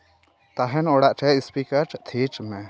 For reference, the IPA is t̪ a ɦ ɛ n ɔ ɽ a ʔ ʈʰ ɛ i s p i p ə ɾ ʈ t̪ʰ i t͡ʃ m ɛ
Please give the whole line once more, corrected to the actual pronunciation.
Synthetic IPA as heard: t̪ a ɦ ɛ n ɔ ɽ a ʔ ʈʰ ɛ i s p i k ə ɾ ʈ t̪ʰ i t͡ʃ m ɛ